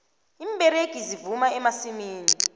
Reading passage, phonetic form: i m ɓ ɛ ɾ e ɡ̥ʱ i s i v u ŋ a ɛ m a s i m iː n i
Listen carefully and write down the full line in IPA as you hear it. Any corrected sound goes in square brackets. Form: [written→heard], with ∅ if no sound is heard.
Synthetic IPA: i m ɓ ɛ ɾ e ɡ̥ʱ i [s→z] i v u [ŋ→m] a ɛ m a s i m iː n i